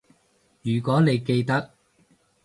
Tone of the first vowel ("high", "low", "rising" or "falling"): low